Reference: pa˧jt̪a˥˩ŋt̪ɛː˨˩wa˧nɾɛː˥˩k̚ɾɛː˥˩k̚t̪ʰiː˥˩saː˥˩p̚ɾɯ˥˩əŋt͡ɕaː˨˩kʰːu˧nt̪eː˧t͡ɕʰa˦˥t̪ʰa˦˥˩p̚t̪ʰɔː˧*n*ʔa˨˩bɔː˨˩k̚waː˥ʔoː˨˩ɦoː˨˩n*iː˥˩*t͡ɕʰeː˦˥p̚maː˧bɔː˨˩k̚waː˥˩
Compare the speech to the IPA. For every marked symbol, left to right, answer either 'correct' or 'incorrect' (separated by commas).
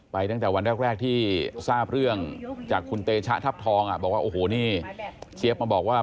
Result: incorrect, correct